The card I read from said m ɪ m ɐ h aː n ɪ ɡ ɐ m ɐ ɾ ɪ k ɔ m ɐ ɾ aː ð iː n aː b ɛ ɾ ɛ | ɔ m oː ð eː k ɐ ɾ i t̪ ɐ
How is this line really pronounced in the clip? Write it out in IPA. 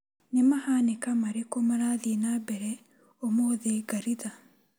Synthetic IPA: n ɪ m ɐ h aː n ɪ k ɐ m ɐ ɾ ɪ k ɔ m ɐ ɾ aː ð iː n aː b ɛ ɾ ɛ | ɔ m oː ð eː ɡ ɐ ɾ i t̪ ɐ